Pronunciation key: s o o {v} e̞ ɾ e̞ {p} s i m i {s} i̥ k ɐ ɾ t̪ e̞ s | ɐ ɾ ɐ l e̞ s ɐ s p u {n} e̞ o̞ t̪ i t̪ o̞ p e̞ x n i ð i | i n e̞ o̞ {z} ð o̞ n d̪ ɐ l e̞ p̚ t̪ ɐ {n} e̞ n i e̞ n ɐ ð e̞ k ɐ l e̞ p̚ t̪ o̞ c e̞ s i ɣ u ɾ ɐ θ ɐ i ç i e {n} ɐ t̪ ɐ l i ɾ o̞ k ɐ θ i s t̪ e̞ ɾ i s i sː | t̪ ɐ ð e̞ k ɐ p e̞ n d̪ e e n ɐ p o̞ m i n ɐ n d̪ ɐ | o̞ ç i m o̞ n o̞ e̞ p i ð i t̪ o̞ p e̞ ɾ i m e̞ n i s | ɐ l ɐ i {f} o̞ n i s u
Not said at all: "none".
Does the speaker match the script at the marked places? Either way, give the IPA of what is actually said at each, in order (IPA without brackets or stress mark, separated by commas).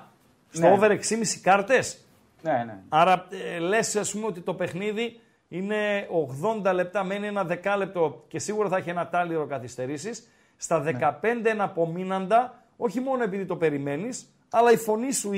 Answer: v, k, s, m, ɣ, m, n, f